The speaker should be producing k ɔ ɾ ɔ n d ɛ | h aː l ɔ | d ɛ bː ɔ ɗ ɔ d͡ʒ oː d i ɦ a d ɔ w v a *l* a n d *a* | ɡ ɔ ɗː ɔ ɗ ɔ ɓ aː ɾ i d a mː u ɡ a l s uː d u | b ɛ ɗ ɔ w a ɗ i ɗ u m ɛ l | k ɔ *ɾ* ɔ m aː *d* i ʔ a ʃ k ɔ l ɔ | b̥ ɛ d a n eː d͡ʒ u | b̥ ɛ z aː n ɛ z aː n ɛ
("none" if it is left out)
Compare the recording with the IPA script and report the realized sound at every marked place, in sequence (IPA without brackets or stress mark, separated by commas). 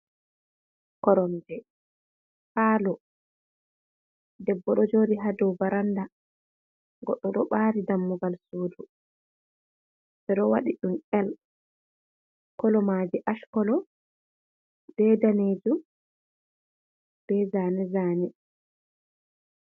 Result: ɾ, a, l, d͡ʒ